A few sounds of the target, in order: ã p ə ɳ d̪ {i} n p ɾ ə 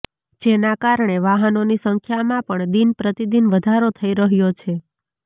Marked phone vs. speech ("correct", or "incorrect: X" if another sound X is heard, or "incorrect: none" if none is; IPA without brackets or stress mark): correct